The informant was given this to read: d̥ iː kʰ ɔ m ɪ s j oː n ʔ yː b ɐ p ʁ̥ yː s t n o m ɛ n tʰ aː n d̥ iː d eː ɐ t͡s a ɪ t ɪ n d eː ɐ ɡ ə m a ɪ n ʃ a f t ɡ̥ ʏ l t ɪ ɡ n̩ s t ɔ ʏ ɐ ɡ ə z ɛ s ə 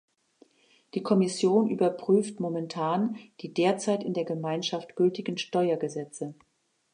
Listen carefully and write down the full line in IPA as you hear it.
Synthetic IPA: d̥ iː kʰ ɔ m ɪ s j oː n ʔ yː b ɐ p ʁ̥ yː f t m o m ɛ n tʰ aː n d̥ iː d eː ɐ t͡s a ɪ t ɪ n d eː ɐ ɡ ə m a ɪ n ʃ a f t ɡ̥ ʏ l t ɪ ɡ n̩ ʃ t ɔ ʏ ɐ ɡ ə z ɛ t͡s ə

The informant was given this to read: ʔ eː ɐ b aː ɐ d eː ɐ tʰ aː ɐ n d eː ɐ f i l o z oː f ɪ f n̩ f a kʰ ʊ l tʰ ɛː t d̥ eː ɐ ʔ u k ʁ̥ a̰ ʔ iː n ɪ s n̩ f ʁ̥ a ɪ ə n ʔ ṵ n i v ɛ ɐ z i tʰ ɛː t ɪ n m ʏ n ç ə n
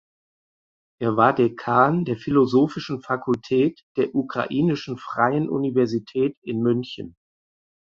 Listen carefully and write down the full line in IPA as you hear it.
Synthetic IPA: ʔ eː ɐ v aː ɐ d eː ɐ kʰ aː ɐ n d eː ɐ f i l o z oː f ɪ ʃ n̩ f a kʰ ʊ l tʰ ɛː t d̥ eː ɐ ʔ u k ʁ̥ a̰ ʔ iː n ɪ ʃ n̩ f ʁ̥ a ɪ ə n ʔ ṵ n i v ɛ ɐ z i tʰ ɛː t ɪ n m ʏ n ç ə n

